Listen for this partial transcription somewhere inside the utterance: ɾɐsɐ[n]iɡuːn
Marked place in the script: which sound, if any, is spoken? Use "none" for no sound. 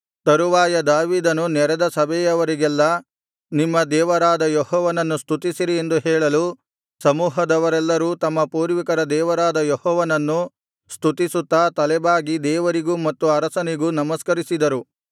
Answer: n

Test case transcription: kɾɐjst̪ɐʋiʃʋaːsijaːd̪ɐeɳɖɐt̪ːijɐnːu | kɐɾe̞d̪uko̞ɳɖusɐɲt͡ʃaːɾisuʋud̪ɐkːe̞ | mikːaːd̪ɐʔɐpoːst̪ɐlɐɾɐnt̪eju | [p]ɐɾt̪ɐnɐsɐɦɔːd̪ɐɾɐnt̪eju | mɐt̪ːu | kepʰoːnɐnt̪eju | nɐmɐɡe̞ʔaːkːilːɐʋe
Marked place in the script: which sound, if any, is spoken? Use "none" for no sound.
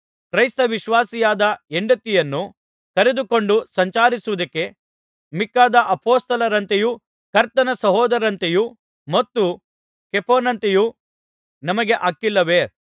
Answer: k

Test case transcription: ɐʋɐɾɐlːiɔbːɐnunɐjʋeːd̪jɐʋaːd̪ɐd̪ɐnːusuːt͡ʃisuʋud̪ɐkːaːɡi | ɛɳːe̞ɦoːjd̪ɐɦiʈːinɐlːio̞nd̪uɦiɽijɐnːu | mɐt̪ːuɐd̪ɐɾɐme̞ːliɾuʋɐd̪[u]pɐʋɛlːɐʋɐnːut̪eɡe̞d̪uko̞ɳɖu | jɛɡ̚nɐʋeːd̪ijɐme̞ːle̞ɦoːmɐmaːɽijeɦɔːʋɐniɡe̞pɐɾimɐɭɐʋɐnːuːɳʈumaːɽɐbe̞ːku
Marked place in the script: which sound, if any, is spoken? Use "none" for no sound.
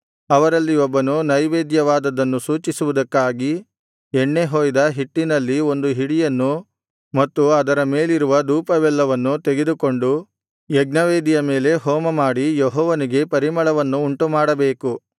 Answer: uː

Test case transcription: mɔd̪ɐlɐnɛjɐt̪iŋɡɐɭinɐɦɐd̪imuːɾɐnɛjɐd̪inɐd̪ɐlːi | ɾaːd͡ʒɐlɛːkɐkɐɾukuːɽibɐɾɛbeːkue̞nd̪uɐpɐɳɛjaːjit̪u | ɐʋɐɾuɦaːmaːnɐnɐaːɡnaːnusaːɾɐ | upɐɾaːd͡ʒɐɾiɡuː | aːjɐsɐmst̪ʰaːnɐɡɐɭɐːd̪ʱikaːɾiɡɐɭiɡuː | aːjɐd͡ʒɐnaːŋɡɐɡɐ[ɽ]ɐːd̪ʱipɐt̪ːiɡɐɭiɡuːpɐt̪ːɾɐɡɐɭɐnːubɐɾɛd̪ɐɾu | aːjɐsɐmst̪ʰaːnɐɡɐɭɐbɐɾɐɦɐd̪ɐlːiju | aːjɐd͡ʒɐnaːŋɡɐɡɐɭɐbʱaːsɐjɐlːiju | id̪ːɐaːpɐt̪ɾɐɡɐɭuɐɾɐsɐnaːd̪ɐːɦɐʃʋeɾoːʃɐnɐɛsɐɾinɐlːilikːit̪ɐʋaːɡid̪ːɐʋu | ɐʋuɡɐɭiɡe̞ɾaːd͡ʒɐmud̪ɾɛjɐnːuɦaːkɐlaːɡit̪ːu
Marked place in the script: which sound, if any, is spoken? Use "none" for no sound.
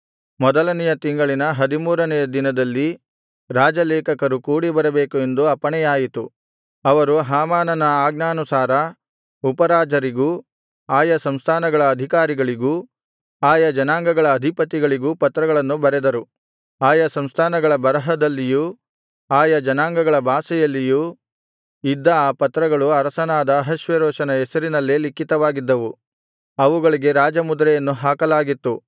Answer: ɭ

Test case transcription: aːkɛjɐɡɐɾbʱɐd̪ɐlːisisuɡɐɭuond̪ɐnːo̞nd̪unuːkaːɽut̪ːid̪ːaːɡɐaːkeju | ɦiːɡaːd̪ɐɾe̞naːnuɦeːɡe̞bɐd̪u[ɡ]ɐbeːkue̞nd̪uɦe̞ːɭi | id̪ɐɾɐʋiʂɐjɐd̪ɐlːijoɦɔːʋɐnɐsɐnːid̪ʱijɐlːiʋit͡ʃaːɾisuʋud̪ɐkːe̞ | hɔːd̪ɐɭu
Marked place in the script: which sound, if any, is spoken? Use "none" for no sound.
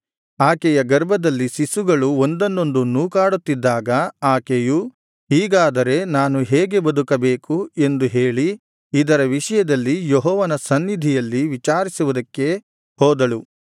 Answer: k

